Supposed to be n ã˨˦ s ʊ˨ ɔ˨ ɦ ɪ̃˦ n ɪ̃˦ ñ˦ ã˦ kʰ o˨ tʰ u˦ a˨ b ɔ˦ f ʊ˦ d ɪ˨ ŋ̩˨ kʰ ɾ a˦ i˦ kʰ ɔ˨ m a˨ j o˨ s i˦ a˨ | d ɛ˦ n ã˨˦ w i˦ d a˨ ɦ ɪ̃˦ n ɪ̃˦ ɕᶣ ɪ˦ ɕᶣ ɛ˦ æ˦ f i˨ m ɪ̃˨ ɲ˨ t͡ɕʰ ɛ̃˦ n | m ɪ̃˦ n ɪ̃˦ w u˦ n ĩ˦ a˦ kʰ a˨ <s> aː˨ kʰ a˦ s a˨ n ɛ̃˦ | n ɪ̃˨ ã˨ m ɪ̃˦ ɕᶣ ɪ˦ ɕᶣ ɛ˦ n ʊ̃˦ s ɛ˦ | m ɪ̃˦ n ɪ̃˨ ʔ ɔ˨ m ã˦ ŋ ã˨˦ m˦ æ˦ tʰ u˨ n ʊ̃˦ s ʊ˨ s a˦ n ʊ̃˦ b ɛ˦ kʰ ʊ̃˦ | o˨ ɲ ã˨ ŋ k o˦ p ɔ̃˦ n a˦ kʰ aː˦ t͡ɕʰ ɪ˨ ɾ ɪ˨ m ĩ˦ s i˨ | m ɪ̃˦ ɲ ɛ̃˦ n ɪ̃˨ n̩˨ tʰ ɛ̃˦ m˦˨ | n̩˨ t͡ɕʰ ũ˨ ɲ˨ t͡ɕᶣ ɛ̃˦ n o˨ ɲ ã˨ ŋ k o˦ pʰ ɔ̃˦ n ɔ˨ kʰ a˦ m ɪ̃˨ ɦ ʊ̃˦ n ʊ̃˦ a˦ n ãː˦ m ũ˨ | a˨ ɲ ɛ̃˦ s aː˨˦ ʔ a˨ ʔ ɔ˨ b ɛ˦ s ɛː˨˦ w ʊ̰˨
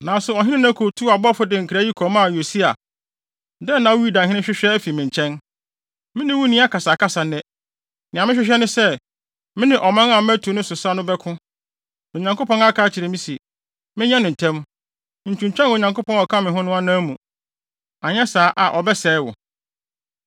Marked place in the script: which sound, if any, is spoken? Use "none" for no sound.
s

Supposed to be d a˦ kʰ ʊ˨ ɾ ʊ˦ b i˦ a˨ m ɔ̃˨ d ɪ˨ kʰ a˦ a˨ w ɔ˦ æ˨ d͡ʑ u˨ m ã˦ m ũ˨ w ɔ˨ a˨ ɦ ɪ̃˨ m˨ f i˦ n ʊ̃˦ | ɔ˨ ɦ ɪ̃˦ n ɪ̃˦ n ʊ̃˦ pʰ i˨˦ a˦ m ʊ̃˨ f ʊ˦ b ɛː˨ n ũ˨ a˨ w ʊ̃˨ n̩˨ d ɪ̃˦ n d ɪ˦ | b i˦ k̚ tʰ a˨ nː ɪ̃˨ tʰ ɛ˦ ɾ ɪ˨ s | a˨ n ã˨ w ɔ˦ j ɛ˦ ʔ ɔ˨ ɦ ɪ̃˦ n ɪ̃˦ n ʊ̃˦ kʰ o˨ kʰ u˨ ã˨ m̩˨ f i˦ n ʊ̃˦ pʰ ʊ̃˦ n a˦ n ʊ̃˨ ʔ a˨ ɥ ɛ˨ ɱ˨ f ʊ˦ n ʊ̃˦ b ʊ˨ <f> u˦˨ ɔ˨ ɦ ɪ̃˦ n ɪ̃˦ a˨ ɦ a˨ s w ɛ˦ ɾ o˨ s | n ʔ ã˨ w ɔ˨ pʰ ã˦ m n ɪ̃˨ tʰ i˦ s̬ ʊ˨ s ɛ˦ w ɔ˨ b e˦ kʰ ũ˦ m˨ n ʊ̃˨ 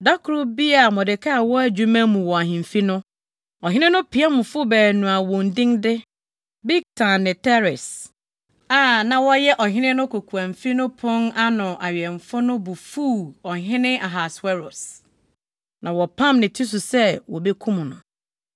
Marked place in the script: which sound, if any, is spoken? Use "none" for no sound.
f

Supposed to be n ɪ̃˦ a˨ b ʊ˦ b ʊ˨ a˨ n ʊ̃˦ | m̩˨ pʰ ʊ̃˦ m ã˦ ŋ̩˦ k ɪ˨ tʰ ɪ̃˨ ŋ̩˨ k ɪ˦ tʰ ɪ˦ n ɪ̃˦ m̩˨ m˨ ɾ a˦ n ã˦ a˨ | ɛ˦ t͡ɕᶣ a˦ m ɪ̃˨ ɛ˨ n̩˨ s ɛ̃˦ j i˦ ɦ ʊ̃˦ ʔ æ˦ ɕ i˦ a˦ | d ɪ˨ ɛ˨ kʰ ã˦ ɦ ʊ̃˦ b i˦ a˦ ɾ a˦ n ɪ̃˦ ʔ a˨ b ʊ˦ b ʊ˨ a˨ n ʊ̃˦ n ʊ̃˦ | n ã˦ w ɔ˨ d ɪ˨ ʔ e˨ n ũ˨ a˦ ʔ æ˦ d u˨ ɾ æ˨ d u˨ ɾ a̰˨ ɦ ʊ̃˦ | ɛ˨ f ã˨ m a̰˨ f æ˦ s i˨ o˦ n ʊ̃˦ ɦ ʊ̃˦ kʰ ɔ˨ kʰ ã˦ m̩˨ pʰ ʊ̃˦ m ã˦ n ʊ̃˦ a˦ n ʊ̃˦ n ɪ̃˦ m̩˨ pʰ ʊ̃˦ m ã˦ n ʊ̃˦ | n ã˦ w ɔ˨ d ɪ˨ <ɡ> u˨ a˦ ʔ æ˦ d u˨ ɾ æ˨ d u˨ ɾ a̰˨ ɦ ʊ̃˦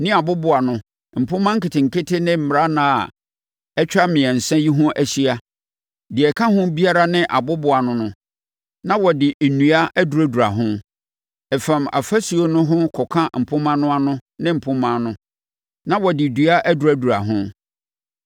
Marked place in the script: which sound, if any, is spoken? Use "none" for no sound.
d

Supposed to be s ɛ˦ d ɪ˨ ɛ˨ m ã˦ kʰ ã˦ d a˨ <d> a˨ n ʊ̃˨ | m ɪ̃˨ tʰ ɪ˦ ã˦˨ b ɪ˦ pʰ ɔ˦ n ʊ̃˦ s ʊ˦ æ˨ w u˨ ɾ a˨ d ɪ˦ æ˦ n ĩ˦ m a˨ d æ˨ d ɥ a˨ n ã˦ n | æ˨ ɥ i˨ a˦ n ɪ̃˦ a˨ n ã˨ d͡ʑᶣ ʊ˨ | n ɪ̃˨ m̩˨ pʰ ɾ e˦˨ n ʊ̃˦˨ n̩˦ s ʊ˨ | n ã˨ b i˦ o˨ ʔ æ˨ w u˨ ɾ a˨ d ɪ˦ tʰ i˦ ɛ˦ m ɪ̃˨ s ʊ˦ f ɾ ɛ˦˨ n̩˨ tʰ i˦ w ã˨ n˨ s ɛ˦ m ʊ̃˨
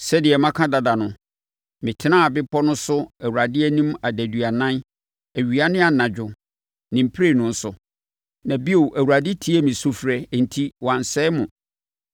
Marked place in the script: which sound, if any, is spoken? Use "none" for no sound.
d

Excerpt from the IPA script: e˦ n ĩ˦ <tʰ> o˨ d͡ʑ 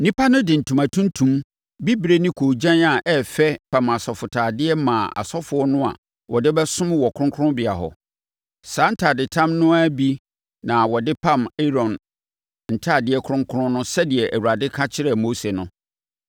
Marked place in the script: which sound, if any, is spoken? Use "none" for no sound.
kʰ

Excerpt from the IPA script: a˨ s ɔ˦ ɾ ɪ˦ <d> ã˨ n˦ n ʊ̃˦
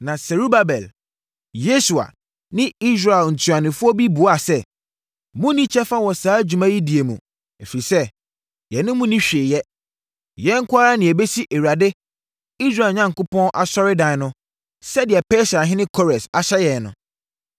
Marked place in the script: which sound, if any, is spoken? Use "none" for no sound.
d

